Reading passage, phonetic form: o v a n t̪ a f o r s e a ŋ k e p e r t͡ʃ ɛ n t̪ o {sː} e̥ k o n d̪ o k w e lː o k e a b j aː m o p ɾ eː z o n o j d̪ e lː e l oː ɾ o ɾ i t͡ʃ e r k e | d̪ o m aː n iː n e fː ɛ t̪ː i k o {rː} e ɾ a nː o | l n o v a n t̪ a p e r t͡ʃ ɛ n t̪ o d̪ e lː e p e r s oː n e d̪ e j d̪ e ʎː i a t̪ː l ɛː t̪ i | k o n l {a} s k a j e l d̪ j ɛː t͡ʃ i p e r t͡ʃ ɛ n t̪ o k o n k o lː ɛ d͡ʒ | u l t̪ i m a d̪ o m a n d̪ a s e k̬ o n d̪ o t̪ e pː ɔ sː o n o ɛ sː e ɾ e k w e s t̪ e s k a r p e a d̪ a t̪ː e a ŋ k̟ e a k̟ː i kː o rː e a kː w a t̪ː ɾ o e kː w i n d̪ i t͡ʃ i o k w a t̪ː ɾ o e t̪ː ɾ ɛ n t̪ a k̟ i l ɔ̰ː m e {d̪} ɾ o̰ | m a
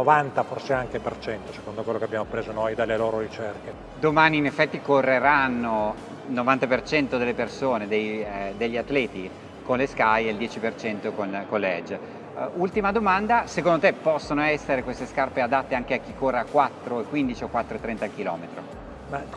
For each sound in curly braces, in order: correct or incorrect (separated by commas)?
incorrect, correct, incorrect, incorrect